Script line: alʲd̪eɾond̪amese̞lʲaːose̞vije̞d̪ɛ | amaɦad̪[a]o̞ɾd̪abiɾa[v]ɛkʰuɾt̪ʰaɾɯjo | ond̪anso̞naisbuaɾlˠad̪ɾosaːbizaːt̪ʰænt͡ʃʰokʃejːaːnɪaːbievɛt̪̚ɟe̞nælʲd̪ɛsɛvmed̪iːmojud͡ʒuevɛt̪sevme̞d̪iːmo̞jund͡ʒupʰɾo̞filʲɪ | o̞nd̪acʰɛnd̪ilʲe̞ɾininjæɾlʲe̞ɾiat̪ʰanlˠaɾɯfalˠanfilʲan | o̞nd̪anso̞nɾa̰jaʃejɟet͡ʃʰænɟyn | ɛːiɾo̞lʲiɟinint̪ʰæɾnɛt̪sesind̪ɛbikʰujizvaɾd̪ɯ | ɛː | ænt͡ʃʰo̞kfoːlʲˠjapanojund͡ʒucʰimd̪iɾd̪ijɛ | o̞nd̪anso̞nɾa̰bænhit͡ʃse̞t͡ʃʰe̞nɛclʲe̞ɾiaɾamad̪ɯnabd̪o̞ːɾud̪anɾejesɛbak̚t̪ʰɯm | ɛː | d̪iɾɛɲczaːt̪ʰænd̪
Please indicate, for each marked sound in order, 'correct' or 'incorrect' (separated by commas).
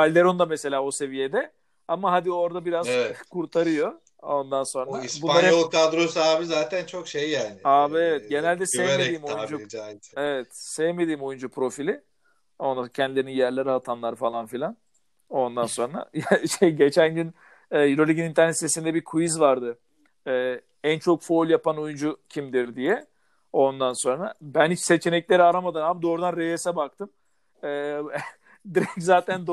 incorrect, incorrect